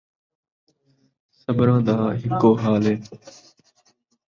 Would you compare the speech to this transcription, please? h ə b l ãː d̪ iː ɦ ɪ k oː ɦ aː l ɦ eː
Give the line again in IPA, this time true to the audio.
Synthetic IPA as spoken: s ə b ɾ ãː d̪ aː ɦ ɪ k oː ɦ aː l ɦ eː